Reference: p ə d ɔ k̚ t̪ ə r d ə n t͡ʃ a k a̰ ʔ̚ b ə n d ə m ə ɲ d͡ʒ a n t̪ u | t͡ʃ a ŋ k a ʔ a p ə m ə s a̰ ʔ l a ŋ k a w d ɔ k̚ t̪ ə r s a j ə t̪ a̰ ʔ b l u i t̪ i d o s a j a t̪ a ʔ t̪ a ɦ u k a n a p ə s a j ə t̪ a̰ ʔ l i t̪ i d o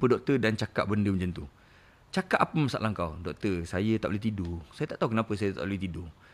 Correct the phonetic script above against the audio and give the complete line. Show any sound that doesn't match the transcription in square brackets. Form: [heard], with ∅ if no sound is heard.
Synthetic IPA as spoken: p ə d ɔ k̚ t̪ ə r d [a] n t͡ʃ a k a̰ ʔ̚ b ə n d ə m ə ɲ d͡ʒ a n t̪ u | t͡ʃ a [∅] k a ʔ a p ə m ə s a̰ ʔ l a ŋ k a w d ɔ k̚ t̪ ə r s a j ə t̪ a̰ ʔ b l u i t̪ i d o s a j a t̪ a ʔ t̪ a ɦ u k [ə] n a p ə s a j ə t̪ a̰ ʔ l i t̪ i d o